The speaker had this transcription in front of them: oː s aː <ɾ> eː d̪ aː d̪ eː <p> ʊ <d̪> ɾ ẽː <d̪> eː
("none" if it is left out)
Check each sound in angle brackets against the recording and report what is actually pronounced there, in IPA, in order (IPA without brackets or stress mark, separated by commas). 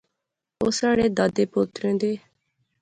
ɽ, p, t̪, d̪